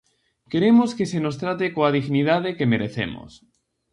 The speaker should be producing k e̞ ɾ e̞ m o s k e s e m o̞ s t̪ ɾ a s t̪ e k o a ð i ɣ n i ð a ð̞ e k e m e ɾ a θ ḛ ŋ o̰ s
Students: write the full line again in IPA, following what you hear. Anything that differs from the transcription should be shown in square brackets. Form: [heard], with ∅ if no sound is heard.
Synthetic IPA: k e̞ ɾ e̞ m o s k e s e [n] o̞ s t̪ ɾ a [∅] t̪ e k o a ð i ɣ n i ð a ð̞ e k e m e ɾ [e] θ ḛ [m] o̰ s